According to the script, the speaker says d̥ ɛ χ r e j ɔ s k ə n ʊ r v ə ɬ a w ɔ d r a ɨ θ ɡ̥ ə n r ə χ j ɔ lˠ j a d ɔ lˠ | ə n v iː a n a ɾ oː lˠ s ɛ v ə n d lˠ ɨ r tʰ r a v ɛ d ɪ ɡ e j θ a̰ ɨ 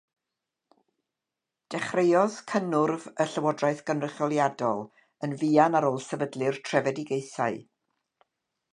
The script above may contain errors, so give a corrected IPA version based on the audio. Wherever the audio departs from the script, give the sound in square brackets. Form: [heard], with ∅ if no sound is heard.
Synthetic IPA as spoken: d̥ ɛ χ r e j ɔ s [kʰ] ə n ʊ r v ə ɬ [ə] w ɔ d r a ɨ θ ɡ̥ ə n r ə χ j ɔ lˠ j a d ɔ lˠ | ə n v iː a n a ɾ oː lˠ s ɛ v ə [∅] d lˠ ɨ r tʰ r [ɛ] v ɛ d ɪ ɡ e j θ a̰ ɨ